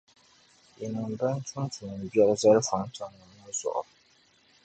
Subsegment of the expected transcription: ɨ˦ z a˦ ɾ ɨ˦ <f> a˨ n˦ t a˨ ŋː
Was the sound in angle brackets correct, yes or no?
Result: yes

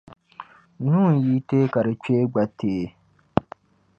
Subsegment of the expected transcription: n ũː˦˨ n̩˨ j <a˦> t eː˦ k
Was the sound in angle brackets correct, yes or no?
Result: no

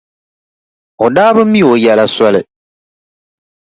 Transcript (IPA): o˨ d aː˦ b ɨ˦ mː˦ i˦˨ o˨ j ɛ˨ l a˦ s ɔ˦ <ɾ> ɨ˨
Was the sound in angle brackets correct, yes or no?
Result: no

